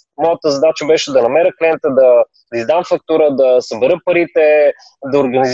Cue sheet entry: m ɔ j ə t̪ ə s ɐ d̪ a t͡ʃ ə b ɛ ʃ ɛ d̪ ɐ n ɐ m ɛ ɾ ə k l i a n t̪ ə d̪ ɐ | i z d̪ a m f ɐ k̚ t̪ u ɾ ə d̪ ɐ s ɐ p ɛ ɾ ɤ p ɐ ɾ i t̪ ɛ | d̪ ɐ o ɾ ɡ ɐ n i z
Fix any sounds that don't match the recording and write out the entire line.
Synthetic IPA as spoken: m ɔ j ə t̪ ə z ɐ d̪ a t͡ʃ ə b ɛ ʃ ɛ d̪ ɐ n ɐ m ɛ ɾ ə k l i ɛ n t̪ ə d̪ ɐ | i z d̪ a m f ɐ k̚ t̪ u ɾ ə d̪ ɐ s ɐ b ɛ ɾ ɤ p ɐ ɾ i t̪ ɛ | d̪ ɐ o ɾ ɡ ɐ n i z